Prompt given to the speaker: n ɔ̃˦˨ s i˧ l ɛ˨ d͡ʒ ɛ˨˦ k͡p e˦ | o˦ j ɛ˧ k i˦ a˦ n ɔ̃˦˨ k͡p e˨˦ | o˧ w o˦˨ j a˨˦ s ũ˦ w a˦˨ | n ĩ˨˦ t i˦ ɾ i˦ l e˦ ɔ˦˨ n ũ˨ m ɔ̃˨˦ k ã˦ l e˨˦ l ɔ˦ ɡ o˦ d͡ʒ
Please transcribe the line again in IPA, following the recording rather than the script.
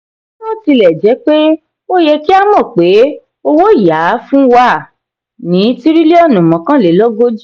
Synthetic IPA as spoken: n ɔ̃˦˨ t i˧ l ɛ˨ d͡ʒ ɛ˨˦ k͡p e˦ | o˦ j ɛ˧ k i˦ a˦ m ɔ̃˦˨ k͡p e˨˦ | o˧ w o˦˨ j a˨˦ f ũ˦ w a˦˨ | n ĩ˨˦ t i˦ ɾ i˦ l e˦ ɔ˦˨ n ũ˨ m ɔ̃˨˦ k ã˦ l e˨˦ l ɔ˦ ɡ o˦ d͡ʒ

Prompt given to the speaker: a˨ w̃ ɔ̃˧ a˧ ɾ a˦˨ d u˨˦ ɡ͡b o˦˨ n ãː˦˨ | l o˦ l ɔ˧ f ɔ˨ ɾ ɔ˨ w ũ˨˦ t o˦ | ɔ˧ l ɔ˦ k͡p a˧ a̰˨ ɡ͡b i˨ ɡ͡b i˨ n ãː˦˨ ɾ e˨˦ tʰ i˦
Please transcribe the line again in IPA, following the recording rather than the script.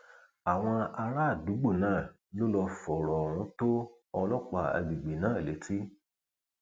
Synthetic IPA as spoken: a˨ w̃ ɔ̃˧ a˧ ɾ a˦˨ d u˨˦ ɡ͡b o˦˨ n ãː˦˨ | l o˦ l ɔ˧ f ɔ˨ ɾ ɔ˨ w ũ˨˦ t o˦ | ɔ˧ l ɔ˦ k͡p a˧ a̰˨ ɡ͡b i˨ ɡ͡b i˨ n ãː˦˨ l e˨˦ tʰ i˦

